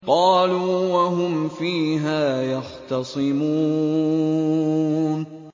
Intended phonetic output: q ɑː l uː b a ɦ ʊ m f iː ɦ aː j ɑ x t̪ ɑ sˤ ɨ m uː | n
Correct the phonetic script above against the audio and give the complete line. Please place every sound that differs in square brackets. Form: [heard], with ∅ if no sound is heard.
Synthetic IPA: q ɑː l uː [w] a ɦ ʊ m f iː ɦ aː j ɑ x t̪ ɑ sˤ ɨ m uː | n